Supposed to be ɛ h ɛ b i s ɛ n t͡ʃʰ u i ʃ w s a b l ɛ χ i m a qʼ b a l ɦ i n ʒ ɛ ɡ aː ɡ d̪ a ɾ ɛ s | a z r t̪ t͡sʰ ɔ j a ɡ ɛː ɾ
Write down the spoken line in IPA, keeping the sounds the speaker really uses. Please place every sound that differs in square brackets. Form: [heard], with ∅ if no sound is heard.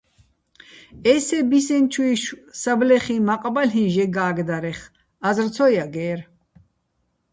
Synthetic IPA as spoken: ɛ [s] ɛ b i s ɛ n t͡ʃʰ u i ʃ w s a b l ɛ χ i m a qʼ b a l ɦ i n ʒ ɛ ɡ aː ɡ d̪ a ɾ ɛ [χ] | a z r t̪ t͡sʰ ɔ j a ɡ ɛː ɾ